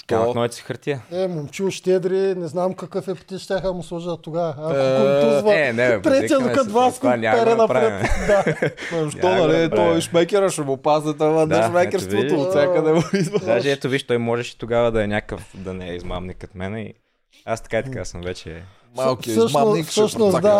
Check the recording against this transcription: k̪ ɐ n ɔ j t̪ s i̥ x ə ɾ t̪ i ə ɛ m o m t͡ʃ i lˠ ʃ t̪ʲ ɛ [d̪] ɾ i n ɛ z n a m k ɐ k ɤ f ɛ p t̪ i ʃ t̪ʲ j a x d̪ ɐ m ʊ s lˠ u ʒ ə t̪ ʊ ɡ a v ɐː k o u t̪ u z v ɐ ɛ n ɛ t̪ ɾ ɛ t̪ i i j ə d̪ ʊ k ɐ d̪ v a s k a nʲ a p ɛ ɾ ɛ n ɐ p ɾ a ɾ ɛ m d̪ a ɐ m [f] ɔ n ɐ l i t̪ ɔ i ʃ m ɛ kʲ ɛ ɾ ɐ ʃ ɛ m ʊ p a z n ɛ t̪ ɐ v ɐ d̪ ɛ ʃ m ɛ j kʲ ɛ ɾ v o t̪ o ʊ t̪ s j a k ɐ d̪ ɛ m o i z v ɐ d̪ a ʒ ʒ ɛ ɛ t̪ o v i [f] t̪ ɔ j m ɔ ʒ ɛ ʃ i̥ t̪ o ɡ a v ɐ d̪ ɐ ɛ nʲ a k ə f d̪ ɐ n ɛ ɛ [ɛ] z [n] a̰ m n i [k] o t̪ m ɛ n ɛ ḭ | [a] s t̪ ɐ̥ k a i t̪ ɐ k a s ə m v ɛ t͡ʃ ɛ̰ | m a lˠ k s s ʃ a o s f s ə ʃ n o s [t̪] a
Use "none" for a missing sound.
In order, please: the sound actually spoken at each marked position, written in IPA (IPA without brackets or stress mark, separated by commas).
d̪, ʃ, ʃ, i, m, k, a, d̪